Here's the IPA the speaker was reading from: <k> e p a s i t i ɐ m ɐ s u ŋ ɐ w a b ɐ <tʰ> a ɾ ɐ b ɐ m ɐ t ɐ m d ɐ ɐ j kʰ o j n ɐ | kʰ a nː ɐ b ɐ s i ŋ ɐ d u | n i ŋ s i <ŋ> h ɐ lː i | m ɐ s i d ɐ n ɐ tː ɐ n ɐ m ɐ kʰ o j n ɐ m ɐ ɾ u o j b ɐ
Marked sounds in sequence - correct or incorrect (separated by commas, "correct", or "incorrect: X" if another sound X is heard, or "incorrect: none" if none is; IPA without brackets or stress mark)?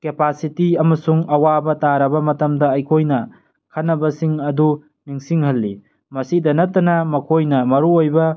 correct, incorrect: t, correct